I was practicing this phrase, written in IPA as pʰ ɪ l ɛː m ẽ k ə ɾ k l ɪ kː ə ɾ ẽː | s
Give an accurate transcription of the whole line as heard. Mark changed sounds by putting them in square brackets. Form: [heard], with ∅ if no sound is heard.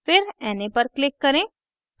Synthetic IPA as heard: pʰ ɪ [ɾ] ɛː [n] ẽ [p] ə ɾ k l ɪ kː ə ɾ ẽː | s